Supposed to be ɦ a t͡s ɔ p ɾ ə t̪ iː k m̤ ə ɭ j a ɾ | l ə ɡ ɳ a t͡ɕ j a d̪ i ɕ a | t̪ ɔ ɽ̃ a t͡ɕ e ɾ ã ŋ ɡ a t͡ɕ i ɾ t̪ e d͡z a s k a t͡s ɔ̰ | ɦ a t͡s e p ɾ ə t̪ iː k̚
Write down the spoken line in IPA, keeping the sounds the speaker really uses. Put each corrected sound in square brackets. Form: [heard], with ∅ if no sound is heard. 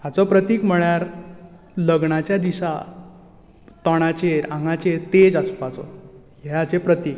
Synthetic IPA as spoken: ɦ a t͡s ɔ p ɾ ə t̪ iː k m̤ ə ɭ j a ɾ | l ə ɡ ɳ a t͡ɕ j a d̪ i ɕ a | t̪ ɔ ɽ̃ a t͡ɕ e ɾ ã ŋ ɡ a t͡ɕ [e] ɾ t̪ e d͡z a s [p] a t͡s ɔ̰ | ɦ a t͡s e p ɾ ə t̪ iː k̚

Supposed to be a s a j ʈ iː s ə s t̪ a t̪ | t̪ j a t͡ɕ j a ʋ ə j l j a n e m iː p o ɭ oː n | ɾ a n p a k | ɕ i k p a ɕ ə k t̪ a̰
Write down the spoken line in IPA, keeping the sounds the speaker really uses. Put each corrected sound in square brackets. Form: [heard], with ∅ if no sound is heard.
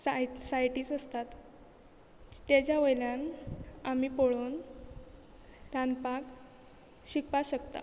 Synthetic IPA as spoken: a s a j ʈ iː s ə s t̪ a t̪ | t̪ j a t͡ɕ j a ʋ ə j l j a n [a] m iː p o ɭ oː n | ɾ a n p a k | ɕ i k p a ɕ ə k t̪ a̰

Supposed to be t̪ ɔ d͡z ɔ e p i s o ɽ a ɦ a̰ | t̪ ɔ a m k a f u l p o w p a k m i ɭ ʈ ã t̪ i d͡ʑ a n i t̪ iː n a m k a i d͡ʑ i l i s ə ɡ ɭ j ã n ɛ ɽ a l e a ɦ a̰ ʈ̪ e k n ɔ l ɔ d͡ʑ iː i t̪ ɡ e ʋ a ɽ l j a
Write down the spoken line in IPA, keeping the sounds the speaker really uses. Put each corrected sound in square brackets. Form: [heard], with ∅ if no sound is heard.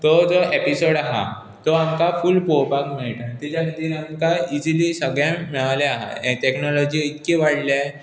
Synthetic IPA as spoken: t̪ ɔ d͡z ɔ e p i s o ɽ a ɦ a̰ | t̪ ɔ a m k a f u l p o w p a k m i ɭ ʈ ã t̪ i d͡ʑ a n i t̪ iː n a m k a i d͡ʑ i l i s ə ɡ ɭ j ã [m] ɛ [ɭ] a l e a ɦ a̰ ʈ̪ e k n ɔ l ɔ d͡ʑ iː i t̪ [k] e ʋ a ɽ l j a

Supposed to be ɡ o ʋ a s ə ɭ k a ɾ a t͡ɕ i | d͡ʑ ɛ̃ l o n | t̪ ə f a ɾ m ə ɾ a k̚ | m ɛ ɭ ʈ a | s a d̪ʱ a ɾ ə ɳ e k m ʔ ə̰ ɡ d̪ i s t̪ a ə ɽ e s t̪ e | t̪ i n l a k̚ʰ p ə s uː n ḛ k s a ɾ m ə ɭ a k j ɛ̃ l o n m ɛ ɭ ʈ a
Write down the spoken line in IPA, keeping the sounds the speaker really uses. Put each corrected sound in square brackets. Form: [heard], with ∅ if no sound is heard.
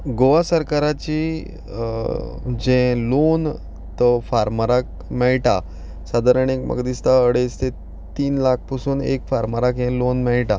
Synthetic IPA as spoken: ɡ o ʋ a s ə [ɾ] k a ɾ a t͡ɕ i | d͡ʑ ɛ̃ l o n | t̪ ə f a ɾ m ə ɾ a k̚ | m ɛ ɭ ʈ a | s a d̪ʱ a ɾ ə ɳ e k m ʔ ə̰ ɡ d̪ i s t̪ a ə ɽ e s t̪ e | t̪ [iː] n l a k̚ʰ p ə s uː n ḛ k [f] a ɾ m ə [ɾ] a k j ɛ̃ l o n m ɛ ɭ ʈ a

